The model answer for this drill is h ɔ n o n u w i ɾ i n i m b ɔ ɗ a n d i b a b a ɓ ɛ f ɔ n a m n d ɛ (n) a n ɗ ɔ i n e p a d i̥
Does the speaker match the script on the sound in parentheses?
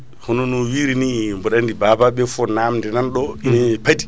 yes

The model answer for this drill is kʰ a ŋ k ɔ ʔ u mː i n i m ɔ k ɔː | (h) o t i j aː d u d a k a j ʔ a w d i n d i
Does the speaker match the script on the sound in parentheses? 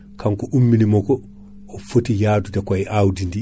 no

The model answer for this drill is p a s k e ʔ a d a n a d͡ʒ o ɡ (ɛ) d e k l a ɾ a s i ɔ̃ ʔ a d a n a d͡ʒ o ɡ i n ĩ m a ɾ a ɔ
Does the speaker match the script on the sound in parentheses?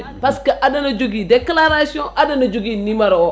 no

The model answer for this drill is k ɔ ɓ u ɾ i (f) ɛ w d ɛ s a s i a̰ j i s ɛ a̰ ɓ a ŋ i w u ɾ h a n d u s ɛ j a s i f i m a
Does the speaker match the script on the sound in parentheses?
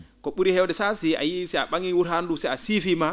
no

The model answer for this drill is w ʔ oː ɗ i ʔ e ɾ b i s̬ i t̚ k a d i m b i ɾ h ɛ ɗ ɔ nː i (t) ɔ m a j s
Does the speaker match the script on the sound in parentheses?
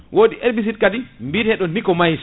no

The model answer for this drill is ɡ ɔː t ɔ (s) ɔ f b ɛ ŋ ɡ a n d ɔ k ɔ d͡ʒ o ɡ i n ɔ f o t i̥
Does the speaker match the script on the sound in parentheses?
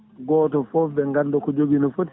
no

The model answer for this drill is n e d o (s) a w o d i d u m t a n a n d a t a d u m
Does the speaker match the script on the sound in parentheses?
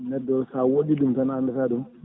yes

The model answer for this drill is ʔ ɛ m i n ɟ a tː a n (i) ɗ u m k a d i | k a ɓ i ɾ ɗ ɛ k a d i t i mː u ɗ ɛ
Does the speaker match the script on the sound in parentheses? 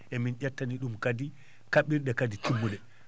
yes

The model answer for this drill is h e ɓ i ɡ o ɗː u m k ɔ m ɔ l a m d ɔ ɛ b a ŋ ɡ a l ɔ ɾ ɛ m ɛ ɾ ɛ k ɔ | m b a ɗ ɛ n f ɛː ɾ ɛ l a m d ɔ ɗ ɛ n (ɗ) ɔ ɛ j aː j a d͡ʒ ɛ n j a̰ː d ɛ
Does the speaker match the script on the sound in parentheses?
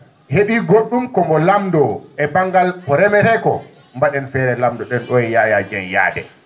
yes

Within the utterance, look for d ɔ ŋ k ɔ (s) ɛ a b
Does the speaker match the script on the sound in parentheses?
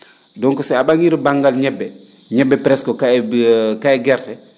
yes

